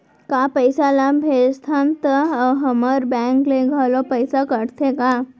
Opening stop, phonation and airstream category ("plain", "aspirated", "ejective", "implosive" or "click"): plain